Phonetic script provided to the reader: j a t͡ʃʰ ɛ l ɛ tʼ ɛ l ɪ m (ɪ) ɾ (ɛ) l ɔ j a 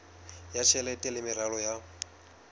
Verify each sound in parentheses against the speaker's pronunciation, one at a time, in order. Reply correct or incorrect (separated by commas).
correct, incorrect